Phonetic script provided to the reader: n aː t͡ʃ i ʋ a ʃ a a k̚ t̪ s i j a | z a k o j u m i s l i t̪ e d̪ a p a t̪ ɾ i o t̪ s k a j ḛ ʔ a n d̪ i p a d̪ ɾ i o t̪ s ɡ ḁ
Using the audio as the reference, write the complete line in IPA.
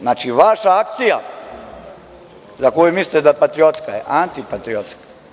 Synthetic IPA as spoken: n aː t͡ʃ i ʋ a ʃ a a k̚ t̪ s i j a | z a k o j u m i s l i t̪ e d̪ a p a t̪ ɾ i o t̪ s k a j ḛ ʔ a n t̪ i p a t̪ ɾ i o t̪ s k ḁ